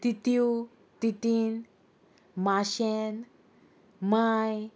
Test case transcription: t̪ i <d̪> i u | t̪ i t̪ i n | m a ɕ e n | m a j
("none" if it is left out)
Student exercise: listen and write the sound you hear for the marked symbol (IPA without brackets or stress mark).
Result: t̪